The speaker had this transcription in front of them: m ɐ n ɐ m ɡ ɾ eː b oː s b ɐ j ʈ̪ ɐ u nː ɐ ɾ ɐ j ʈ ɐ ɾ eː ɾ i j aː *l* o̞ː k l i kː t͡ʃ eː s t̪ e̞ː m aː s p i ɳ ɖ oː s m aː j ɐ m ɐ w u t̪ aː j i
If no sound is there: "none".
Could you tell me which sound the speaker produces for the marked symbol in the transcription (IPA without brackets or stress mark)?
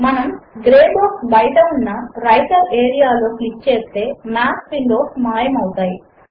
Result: l